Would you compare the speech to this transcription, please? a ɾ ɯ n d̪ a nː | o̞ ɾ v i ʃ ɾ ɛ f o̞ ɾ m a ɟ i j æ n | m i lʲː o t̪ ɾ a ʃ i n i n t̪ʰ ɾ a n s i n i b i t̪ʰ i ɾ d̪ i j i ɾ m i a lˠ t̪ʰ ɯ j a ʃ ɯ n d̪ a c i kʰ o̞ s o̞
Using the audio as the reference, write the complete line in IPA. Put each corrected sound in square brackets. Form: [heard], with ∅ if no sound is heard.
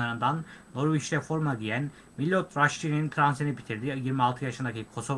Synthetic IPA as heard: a ɾ ɯ n d̪ a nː | o̞ ɾ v i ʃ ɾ ɛ f o̞ ɾ m a ɟ i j æ n | m i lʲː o t̪ ɾ a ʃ i n i n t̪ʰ ɾ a n s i n i b i t̪ʰ i ɾ d̪ i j i ɾ m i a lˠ t̪ʰ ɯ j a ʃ ɯ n d̪ a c i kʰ o̞ s o̞

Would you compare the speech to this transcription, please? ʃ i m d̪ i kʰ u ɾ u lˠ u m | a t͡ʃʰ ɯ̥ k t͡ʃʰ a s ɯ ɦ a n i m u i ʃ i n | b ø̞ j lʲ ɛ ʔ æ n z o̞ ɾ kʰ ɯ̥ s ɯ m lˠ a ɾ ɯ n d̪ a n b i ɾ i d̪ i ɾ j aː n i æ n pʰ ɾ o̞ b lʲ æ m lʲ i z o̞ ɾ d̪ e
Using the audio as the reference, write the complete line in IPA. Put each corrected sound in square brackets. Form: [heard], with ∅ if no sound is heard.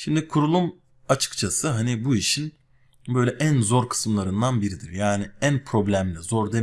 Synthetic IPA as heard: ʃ i m d̪ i kʰ u ɾ u lˠ u m | a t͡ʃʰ ɯ̥ k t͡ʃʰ a s ɯ ɦ a n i [b] u i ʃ i n | b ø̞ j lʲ ɛ ʔ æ n z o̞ ɾ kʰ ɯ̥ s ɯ m lˠ a ɾ ɯ n d̪ a n b i ɾ i d̪ i ɾ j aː n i æ n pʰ ɾ o̞ b lʲ æ m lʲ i z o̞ ɾ d̪ e

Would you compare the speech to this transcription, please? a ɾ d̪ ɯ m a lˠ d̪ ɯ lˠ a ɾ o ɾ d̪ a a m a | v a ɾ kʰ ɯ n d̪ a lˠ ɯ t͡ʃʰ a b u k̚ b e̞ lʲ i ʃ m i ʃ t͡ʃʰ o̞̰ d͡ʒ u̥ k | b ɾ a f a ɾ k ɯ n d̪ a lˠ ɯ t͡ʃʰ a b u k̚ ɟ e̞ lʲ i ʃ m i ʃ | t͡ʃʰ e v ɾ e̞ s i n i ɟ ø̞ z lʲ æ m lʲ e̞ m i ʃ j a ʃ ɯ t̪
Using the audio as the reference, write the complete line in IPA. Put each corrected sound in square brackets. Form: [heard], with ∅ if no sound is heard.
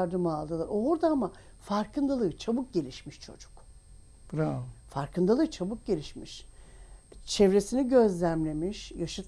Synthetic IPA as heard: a ɾ d̪ ɯ m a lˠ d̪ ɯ lˠ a ɾ o ɾ d̪ a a m a | [f] a ɾ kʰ ɯ n d̪ a lˠ ɯ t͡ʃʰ a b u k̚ [ɟ] e̞ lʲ i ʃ m i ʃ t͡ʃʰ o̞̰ d͡ʒ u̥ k | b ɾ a f a ɾ k ɯ n d̪ a lˠ ɯ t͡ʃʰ a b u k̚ ɟ e̞ lʲ i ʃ m i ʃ | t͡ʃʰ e v ɾ e̞ s i n i ɟ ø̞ z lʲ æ m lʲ e̞ m i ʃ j a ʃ ɯ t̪

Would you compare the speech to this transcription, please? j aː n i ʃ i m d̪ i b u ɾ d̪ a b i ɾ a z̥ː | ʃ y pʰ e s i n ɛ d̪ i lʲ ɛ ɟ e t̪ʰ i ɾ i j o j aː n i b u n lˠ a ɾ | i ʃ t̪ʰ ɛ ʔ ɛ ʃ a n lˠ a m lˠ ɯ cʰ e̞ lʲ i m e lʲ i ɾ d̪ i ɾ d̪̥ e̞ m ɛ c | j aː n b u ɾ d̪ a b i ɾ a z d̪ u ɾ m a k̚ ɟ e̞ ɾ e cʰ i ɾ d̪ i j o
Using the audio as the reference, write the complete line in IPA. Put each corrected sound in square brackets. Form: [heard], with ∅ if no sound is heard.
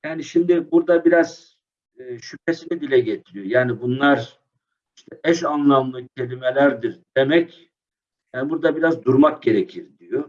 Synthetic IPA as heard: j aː n i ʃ i m d̪ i b u ɾ d̪ a b i ɾ a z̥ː | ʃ y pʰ e s i n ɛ d̪ i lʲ ɛ ɟ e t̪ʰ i ɾ i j o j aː n i b u n lˠ a ɾ | i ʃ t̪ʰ ɛ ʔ ɛ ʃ a n lˠ a m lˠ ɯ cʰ e̞ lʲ i m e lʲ [æ] ɾ d̪ i ɾ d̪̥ e̞ m ɛ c | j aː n b u ɾ d̪ a b i ɾ a z d̪ u ɾ m a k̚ ɟ e̞ ɾ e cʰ i ɾ d̪ i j o

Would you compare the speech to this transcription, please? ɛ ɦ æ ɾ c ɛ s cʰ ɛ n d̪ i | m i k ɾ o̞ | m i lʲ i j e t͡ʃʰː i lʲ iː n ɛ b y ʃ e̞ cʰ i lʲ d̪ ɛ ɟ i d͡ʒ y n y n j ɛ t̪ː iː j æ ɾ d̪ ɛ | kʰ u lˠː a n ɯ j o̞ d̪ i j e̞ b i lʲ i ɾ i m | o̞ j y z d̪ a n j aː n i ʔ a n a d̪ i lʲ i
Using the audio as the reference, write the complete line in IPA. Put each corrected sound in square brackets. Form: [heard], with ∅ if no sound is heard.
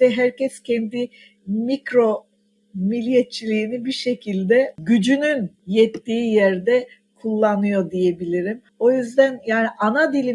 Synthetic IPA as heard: ɛ ɦ æ ɾ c ɛ s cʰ ɛ n d̪ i | m i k ɾ o̞ | m i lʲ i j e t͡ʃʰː i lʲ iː n [i] b [i] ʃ e̞ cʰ i lʲ d̪ ɛ ɟ [y] d͡ʒ y n y n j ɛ t̪ː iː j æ ɾ d̪ ɛ | kʰ u lˠː a n ɯ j o̞ d̪ i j e̞ b i lʲ i ɾ i m | o̞ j y z d̪ [æ] n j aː n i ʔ a n a d̪ i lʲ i

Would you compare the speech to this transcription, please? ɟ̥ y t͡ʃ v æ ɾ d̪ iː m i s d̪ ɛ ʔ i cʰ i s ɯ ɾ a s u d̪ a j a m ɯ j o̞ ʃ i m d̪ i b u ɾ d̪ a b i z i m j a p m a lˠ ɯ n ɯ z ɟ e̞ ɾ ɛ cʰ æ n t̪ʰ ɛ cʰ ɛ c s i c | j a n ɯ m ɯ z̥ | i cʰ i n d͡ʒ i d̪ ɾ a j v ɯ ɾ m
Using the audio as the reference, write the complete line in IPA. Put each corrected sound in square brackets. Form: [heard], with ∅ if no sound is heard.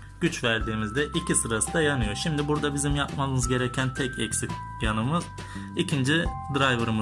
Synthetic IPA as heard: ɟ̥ y t͡ʃ v æ ɾ d̪ iː m i [z] d̪ ɛ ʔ i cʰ i s ɯ ɾ a s [ɯ] d̪ a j a [n] ɯ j o̞ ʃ i m d̪ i b u ɾ d̪ a b i z i m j a p m a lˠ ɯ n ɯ z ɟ e̞ ɾ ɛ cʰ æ n t̪ʰ ɛ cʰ ɛ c s i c | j a n ɯ m ɯ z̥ | i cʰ i n d͡ʒ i d̪ ɾ a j v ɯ ɾ m

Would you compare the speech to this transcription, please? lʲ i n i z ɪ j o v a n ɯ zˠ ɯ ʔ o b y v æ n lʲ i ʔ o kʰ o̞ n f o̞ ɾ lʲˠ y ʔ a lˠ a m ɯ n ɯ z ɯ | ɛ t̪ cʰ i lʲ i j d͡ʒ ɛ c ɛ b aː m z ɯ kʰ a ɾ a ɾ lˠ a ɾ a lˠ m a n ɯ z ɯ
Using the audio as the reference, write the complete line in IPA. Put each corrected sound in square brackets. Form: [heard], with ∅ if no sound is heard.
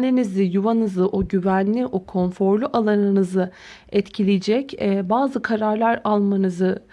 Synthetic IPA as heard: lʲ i n i z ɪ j [u] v a n ɯ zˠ ɯ ʔ o [ɟ] y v æ n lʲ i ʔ o kʰ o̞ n f o̞ ɾ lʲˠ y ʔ a lˠ a [n] ɯ n ɯ z ɯ | ɛ t̪ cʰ i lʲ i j d͡ʒ ɛ c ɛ b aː [∅] z ɯ kʰ a ɾ a ɾ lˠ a ɾ a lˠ m a n ɯ z ɯ

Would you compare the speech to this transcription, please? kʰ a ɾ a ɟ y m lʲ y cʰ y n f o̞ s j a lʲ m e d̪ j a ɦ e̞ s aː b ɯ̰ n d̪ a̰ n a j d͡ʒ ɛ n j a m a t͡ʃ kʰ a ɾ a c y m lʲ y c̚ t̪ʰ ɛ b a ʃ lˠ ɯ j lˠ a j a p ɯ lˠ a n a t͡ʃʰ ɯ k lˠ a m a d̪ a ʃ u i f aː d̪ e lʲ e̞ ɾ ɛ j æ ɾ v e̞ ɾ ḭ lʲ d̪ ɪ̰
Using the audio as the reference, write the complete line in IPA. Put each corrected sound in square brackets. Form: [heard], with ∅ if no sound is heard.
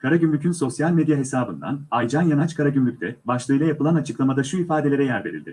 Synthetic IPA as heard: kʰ a ɾ a ɟ y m lʲ y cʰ y n [s] o̞ s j a lʲ m e d̪ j a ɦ e̞ s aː b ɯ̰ n d̪ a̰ n a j d͡ʒ [a] n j a [n] a t͡ʃ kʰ a ɾ a [ɟ] y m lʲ y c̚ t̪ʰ ɛ b a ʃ lˠ ɯ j lˠ a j a p ɯ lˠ a n a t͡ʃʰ ɯ k lˠ a m a d̪ a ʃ u i f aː d̪ e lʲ e̞ ɾ ɛ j æ ɾ v e̞ ɾ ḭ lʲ d̪ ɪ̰

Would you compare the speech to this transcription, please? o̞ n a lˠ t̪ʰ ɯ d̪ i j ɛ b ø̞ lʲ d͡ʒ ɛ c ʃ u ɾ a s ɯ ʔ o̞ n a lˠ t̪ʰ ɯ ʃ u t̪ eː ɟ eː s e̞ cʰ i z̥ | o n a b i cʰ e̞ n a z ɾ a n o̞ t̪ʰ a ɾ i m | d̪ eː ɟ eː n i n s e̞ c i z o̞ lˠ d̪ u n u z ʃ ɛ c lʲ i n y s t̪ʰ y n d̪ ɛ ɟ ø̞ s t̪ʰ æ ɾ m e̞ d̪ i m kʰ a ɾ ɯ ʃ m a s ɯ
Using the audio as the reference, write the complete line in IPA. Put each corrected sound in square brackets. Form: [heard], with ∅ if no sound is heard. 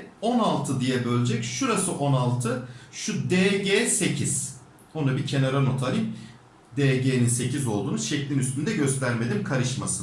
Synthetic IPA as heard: o̞ n a lˠ t̪ʰ ɯ d̪ i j ɛ b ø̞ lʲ d͡ʒ ɛ c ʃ u ɾ a s ɯ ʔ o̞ n a lˠ t̪ʰ ɯ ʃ u [d̪] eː ɟ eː s e̞ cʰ i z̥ | o n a b i cʰ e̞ n a [∅] ɾ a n o̞ t̪ʰ a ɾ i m | d̪ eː ɟ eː n i n s e̞ c i z o̞ lˠ d̪ [uː] n u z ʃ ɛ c lʲ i n y s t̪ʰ y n d̪ ɛ ɟ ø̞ s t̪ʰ æ ɾ m e̞ d̪ i m kʰ a ɾ ɯ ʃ m a s ɯ

